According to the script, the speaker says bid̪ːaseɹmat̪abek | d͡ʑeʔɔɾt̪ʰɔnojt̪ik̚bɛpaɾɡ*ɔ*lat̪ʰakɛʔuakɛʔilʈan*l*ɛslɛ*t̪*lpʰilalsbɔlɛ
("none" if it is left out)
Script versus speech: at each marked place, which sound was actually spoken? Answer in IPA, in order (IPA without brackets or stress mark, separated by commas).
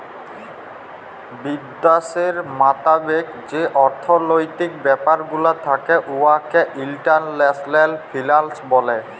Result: u, l, none